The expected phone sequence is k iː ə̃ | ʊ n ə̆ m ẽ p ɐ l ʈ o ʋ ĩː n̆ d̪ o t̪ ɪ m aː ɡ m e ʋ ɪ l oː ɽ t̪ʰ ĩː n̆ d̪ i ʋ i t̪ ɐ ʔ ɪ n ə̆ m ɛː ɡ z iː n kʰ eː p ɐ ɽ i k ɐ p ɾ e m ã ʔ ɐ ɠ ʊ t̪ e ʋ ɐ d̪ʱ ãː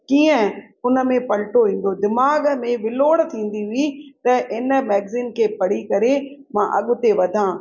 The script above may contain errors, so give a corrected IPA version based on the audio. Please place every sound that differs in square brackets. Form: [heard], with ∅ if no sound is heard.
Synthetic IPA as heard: k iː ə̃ | ʊ n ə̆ m ẽ p ɐ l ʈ o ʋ ĩː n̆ d̪ o [d̪] ɪ m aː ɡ m [ẽ] ʋ ɪ l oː ɽ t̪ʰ ĩː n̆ d̪ i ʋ i t̪ ɐ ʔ ɪ n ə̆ m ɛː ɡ z iː n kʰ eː p ɐ ɽ i k ɐ [∅] ɾ e m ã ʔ ɐ ɠ ʊ t̪ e ʋ ɐ d̪ʱ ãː